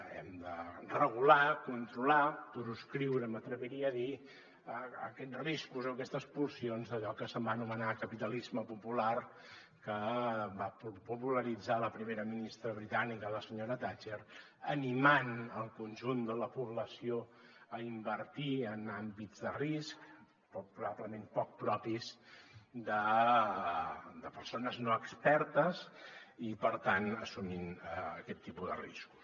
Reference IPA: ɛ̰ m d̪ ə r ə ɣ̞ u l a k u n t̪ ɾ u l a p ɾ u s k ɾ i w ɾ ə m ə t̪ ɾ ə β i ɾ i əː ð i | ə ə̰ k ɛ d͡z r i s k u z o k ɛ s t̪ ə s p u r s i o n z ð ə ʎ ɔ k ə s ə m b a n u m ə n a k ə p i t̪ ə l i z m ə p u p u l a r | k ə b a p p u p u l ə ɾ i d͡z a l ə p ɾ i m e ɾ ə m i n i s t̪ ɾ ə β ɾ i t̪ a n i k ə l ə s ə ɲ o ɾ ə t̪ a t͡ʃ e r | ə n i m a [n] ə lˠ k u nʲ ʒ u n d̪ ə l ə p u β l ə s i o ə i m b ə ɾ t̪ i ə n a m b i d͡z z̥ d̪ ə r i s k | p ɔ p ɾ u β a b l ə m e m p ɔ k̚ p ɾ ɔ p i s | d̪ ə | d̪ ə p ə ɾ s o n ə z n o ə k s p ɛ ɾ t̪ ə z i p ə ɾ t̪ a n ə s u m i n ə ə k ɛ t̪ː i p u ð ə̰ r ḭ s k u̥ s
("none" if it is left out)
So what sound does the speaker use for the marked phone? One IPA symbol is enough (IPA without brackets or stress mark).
n